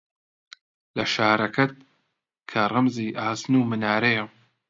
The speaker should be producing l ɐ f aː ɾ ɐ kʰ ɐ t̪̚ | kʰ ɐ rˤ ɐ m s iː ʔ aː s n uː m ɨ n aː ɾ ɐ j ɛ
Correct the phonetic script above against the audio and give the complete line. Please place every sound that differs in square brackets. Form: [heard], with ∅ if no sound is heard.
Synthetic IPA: l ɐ [ʃ] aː ɾ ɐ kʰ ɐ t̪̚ | kʰ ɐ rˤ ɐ m [z] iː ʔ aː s n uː m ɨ n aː ɾ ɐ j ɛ